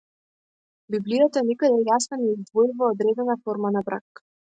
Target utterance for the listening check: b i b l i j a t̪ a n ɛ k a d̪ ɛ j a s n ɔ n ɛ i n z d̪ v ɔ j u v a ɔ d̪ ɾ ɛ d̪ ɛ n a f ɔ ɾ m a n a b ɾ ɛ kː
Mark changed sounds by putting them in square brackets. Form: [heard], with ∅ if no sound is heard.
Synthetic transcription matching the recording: b i b l i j a t̪ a n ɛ k a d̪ ɛ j a s n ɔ n ɛ i [∅] z d̪ v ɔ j u v a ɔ d̪ ɾ ɛ d̪ ɛ n a f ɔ ɾ m a n a b ɾ [a] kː